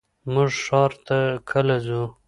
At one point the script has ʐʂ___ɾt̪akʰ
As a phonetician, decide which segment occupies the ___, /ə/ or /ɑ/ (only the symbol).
ɑ